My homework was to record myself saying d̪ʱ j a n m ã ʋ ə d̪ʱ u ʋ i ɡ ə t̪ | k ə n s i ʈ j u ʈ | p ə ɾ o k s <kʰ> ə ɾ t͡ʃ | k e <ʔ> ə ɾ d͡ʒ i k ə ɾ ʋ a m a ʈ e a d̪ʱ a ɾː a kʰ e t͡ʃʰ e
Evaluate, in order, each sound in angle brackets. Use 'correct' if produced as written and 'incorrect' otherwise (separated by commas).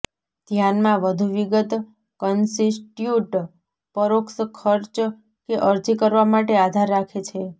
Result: correct, correct